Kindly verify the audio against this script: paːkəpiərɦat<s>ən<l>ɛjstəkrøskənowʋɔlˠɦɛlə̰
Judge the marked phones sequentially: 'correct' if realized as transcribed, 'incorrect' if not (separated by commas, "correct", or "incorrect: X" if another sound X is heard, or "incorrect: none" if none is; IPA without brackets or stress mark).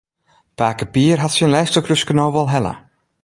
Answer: correct, correct